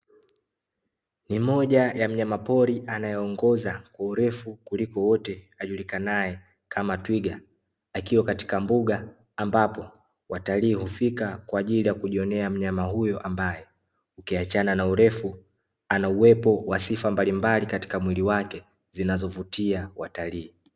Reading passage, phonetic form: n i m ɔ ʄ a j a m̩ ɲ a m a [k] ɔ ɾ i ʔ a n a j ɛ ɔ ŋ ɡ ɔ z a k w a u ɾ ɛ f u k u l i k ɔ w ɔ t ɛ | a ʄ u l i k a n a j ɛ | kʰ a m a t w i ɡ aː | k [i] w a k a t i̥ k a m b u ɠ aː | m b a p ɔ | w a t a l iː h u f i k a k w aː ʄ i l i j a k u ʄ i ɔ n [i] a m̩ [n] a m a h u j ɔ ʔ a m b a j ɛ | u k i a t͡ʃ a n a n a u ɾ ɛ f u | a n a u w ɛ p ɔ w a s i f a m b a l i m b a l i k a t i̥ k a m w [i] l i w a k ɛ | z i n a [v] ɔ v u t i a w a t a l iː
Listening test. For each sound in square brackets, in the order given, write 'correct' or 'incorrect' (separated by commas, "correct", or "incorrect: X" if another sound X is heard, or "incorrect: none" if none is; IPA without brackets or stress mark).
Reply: incorrect: p, correct, incorrect: ɛ, incorrect: ɲ, correct, incorrect: z